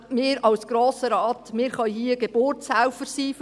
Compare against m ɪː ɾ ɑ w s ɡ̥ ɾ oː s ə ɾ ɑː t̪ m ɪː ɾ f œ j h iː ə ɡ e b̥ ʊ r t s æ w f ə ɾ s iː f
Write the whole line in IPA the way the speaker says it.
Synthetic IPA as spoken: m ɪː ɾ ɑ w s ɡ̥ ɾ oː s ə ɾ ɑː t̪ m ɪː ɾ χ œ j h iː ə ɡ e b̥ ʊ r t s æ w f ə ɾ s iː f